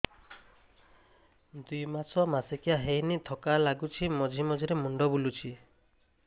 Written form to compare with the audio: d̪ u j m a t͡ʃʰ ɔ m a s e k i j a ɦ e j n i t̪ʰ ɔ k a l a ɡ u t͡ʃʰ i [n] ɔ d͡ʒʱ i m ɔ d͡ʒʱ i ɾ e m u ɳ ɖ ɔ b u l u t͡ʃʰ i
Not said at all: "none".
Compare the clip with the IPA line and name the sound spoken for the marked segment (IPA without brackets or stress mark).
m